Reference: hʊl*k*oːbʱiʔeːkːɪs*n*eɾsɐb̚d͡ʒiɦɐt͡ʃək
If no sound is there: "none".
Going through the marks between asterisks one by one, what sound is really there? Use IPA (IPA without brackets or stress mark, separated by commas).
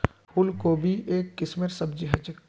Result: k, m